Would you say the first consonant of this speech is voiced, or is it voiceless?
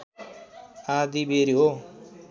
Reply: voiced